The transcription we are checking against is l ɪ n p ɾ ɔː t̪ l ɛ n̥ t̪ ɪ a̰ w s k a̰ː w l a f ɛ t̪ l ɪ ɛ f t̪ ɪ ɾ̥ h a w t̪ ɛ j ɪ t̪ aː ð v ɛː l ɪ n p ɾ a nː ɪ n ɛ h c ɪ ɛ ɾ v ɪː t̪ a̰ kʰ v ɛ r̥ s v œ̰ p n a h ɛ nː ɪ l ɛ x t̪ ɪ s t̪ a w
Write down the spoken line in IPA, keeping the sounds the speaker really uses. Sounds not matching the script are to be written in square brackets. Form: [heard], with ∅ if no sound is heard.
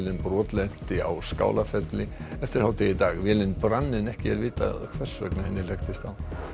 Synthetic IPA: l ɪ n p ɾ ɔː t̪ l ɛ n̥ t̪ ɪ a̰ w s k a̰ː w l a f ɛ t̪ l ɪ ɛ f t̪ ɪ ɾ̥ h a w t̪ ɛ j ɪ t̪ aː [ɣ] v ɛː l ɪ n p ɾ a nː ɪ n ɛ h c ɪ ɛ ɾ v ɪː t̪ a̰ kʰ v ɛ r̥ s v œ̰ [k] n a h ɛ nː ɪ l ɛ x t̪ ɪ s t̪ a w